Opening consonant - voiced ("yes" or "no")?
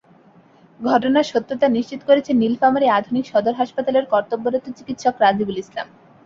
yes